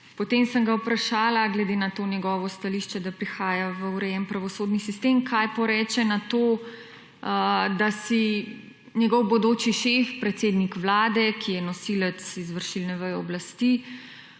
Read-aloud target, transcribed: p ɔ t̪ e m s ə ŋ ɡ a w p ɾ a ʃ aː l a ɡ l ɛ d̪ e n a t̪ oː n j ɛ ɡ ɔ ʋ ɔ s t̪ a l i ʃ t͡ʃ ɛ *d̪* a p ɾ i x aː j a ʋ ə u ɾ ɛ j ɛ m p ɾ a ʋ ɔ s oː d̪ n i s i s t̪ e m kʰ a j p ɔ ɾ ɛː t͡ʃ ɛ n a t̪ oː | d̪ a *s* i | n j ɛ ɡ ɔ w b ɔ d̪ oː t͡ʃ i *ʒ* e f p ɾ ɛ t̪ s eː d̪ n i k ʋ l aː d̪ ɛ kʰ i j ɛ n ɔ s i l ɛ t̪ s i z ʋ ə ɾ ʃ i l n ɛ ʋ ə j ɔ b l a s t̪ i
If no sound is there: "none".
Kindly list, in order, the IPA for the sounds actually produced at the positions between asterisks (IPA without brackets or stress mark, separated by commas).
d̪, s, ʃ